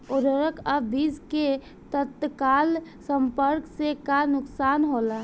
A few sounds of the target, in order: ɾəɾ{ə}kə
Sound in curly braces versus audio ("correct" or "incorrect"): correct